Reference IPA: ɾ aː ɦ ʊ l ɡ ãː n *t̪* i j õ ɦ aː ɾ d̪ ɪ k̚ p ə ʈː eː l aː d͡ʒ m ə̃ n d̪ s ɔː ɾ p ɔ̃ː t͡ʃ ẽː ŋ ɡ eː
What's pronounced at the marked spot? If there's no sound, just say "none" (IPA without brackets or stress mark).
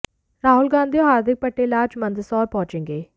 d̪